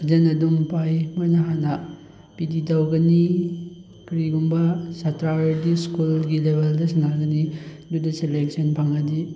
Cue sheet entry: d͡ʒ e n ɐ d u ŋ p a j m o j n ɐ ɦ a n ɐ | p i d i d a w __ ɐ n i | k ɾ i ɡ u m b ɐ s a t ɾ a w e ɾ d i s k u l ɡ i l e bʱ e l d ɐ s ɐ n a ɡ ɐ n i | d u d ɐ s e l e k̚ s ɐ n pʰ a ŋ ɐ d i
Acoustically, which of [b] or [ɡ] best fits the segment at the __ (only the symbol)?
ɡ